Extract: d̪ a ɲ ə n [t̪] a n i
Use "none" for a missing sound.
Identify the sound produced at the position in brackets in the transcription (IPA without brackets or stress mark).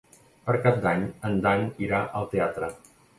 d̪